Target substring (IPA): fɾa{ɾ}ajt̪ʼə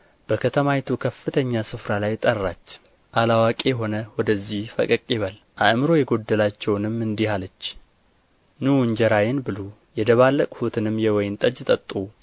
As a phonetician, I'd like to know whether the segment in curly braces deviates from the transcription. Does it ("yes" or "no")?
yes